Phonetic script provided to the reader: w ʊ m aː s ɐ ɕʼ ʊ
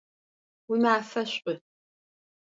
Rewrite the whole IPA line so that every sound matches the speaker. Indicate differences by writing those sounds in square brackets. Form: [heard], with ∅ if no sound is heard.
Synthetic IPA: w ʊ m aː [f] ɐ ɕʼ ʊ